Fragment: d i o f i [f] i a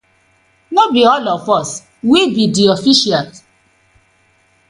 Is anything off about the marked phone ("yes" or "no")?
yes